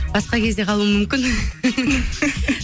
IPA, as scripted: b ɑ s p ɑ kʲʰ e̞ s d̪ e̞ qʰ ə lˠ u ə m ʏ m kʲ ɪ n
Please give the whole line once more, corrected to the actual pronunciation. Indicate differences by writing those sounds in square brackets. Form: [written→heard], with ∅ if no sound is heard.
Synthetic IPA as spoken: b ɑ s [p→q] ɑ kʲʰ e̞ [s→z] d̪ e̞ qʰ [ə→ɑ] lˠ u ə m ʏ m kʲ ɪ n